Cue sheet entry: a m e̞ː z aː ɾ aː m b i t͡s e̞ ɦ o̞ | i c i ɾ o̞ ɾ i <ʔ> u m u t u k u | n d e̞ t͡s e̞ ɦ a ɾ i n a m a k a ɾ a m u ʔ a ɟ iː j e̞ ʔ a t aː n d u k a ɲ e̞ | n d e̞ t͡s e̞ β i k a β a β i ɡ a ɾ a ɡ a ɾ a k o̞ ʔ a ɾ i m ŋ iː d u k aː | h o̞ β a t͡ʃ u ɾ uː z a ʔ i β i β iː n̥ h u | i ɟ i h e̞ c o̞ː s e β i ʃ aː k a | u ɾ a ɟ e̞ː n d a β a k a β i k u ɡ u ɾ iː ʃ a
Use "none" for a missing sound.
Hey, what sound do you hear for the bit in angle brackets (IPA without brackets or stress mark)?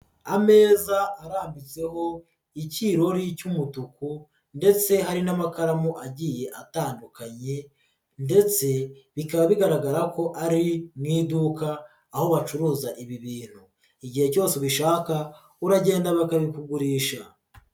c